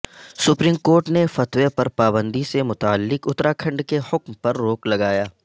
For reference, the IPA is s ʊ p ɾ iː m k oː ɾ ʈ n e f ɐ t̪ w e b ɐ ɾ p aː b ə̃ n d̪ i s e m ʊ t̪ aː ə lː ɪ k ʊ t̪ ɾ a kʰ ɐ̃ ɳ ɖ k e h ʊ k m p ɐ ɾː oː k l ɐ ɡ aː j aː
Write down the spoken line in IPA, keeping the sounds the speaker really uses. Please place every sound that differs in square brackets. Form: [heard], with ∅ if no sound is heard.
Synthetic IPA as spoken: s ʊ p ɾ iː m k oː ɾ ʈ n e f ɐ t̪ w e [p] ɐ ɾ p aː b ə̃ n d̪ i s e m ʊ t̪ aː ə lː ɪ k ʊ t̪ ɾ a kʰ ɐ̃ ɳ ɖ k e h ʊ k m p ɐ ɾː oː k l ɐ ɡ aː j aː

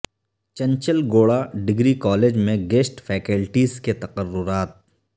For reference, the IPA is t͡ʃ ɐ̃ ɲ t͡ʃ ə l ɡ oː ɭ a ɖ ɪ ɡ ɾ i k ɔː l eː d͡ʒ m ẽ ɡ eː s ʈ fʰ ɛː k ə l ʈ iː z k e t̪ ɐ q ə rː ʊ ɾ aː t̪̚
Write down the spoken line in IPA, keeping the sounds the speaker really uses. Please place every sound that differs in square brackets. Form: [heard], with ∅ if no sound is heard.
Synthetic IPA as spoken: t͡ʃ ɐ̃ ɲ t͡ʃ ə l ɡ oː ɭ a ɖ ɪ ɡ ɾ i k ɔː l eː d͡ʒ m ẽ ɡ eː s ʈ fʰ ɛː k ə l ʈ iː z k e t̪ ɐ q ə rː ʊ ɾ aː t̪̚

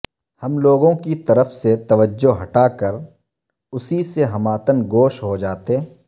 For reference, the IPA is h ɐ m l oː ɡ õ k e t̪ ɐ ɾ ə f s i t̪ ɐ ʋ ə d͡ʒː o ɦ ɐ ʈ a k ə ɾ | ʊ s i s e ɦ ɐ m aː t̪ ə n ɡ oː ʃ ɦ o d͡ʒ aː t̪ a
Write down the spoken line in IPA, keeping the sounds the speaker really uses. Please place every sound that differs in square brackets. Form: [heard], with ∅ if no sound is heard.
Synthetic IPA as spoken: h ɐ m l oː ɡ õ k [i] t̪ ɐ ɾ ə f s [e] t̪ ɐ ʋ ə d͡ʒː o ɦ ɐ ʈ a k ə ɾ | ʊ s i s e ɦ ɐ m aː t̪ ə n ɡ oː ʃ ɦ o d͡ʒ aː t̪ [e]

